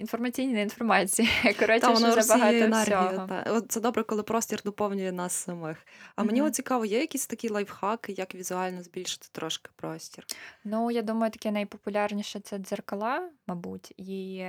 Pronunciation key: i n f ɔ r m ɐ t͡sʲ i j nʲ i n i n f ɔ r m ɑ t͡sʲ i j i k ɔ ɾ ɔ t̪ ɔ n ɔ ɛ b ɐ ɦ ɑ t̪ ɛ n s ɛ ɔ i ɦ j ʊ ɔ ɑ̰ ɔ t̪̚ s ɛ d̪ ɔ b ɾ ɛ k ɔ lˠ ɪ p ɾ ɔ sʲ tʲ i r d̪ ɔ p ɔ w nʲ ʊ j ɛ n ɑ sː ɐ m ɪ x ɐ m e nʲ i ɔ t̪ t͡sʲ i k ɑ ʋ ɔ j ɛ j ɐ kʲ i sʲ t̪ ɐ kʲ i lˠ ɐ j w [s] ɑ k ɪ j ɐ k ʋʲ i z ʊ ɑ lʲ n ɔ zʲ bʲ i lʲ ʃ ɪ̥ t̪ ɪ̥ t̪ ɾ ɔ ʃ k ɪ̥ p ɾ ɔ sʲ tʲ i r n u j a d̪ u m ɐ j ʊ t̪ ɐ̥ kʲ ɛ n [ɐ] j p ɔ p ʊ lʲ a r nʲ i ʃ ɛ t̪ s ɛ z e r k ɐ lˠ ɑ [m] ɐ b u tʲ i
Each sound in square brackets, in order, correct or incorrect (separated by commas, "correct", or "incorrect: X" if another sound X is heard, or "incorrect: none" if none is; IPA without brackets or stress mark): incorrect: x, correct, correct